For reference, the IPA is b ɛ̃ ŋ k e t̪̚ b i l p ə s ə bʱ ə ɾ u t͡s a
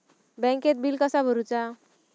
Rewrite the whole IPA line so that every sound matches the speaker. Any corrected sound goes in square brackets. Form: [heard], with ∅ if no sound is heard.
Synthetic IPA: b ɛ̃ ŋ k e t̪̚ b i l [k] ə s [a] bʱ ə ɾ u t͡s a